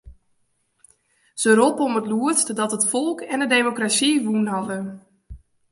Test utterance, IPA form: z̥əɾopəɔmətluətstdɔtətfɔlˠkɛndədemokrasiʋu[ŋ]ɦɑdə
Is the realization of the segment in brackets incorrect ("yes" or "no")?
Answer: yes